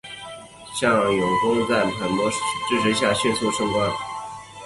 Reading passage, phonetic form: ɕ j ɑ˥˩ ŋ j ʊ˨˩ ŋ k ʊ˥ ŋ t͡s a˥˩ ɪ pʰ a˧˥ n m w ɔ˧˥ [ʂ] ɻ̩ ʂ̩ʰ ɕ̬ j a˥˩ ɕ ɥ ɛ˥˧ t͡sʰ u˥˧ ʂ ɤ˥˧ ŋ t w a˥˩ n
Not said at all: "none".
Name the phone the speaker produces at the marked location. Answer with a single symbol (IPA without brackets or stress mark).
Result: ʈ͡ʂ